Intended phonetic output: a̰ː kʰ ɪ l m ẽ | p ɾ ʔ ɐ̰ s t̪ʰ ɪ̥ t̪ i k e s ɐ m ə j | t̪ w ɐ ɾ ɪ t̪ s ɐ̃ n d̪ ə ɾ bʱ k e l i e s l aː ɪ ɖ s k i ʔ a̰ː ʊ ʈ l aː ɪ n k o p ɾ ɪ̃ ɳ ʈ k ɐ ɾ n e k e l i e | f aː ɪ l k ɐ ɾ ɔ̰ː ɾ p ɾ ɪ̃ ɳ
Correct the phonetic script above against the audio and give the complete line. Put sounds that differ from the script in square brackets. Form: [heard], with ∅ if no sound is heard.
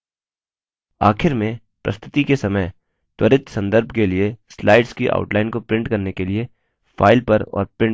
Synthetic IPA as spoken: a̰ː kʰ ɪ [ɾ] m ẽ | p ɾ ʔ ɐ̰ s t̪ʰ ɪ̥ t̪ i k e s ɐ m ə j | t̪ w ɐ ɾ ɪ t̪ s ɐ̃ n d̪ ə ɾ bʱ k e l i e s l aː ɪ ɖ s k i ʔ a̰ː ʊ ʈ l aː ɪ n k o p ɾ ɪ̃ ɳ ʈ k ɐ ɾ n e k e l i e | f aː ɪ l [p] ɐ ɾ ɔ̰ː ɾ p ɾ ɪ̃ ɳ